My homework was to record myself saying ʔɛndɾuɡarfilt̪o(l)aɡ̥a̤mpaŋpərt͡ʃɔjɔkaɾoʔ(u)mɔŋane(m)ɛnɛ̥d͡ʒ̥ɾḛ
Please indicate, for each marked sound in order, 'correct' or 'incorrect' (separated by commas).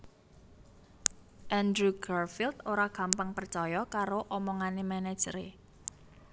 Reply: incorrect, incorrect, correct